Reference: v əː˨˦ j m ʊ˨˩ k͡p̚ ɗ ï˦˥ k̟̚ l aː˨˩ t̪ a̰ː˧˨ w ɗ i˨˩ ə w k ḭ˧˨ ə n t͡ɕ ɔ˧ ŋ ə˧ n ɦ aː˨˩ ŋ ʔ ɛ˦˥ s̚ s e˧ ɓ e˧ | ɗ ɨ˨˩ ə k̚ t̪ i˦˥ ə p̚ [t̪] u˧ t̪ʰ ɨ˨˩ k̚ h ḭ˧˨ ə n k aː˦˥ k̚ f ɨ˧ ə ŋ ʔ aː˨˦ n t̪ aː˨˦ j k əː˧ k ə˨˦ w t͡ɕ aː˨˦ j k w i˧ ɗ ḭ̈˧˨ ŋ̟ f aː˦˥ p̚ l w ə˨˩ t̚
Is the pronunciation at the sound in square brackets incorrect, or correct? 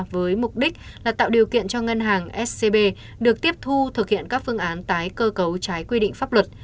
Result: incorrect